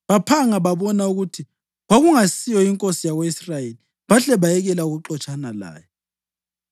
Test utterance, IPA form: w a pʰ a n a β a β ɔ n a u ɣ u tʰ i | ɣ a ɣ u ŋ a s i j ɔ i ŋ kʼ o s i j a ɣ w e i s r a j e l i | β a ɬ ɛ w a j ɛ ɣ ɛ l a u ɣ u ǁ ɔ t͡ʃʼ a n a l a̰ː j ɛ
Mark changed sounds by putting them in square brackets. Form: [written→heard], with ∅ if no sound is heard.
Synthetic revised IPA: [w→β] a pʰ a [n→ŋ] a β a β ɔ n a u ɣ u tʰ i | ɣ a ɣ u ŋ a s i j ɔ i ŋ kʼ o s i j a ɣ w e i s r a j e l i | β a ɬ ɛ [w→β] a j ɛ ɣ ɛ l a u ɣ u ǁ ɔ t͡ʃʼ a n a l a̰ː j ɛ